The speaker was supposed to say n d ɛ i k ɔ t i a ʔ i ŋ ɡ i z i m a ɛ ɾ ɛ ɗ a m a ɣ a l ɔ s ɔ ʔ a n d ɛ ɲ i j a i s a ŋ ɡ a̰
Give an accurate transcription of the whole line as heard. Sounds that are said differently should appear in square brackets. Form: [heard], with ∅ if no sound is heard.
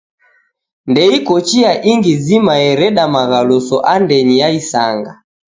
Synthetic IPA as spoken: n d ɛ i k ɔ [t͡ʃ] i a ʔ i ŋ ɡ i z i m a ɛ ɾ ɛ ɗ a m a ɣ a l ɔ s ɔ ʔ a n d ɛ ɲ i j a i s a ŋ ɡ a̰